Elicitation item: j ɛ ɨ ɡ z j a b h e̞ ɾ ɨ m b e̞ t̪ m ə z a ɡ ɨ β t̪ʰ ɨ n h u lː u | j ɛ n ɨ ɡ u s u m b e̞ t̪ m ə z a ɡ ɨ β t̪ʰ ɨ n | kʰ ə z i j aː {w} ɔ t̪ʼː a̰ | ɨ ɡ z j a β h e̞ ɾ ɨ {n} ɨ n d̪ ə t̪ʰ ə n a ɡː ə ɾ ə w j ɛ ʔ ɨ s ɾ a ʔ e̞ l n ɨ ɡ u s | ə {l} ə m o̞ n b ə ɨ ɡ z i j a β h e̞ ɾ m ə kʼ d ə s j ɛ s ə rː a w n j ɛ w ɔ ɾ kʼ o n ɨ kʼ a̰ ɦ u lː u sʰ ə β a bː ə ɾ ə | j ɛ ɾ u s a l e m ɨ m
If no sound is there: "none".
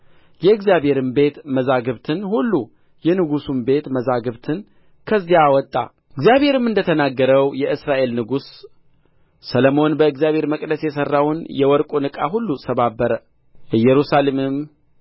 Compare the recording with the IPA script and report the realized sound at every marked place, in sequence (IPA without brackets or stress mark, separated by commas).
w, m, l